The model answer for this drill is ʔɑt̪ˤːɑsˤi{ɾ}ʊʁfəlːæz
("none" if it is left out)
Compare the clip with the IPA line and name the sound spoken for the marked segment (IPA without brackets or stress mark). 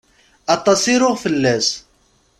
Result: ɾ